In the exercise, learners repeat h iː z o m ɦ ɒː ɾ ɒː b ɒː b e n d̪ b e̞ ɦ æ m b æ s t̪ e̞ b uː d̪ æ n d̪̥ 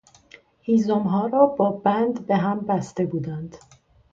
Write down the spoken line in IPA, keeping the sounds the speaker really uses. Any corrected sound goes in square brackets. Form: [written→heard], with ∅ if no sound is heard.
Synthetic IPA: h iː z o m ɦ ɒː ɾ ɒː b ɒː b [e→æ] n d̪ b e̞ ɦ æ m b æ s t̪ e̞ b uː d̪ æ n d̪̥